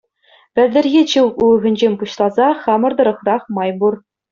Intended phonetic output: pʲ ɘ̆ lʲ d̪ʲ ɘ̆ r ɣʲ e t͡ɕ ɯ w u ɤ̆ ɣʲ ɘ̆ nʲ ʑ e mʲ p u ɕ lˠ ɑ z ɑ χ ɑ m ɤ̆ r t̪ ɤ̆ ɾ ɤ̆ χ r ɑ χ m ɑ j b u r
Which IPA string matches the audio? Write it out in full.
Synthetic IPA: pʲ ɘ̆ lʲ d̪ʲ ɘ̆ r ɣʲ e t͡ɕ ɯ w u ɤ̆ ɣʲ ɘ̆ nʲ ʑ e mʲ p u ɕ lˠ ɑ z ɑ χ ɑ m ɤ̆ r d̪ ɤ̆ ɾ ɤ̆ χ r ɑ χ m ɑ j b u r